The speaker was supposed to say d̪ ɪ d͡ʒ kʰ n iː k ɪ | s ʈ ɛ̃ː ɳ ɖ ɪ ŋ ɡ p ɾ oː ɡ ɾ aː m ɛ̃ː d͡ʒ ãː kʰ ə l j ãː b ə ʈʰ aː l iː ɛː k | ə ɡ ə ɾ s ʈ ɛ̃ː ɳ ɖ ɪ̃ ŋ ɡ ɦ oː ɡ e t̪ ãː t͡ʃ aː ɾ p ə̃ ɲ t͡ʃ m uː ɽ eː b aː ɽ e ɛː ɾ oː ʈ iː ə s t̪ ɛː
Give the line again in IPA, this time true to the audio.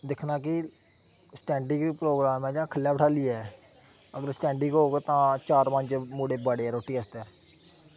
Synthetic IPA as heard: d̪ ɪ kʰ n aː k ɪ | s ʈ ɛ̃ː ɳ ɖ ɪ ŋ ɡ p ɾ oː ɡ ɾ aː m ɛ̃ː d͡ʒ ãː kʰ ə l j aː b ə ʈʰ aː l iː ɛː | ə ɡ ə ɾ s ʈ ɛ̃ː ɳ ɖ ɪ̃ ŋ ɡ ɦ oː ɡ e t̪ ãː t͡ʃ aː ɾ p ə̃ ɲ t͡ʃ m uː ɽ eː b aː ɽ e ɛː ɾ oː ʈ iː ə s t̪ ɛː